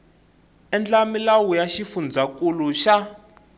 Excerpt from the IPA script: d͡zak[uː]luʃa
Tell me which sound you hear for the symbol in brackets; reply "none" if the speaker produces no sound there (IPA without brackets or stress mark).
u